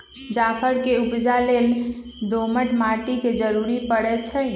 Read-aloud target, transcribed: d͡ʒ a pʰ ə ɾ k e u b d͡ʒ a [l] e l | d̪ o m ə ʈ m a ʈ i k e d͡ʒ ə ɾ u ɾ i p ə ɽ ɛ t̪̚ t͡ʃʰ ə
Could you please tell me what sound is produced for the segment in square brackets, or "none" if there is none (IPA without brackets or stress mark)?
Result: l